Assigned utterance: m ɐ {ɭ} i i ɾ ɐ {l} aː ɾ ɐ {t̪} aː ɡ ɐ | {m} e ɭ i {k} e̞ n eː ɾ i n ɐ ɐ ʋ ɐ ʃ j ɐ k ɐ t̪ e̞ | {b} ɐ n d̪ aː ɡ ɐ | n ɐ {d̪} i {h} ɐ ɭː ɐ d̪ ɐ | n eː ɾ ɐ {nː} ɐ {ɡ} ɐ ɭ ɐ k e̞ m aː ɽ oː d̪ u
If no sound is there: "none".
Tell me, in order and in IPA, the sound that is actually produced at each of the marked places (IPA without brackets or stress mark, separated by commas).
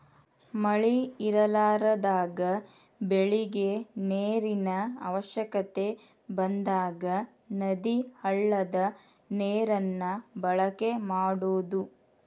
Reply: ɭ, l, d̪, b, ɡ, b, d̪, h, nː, b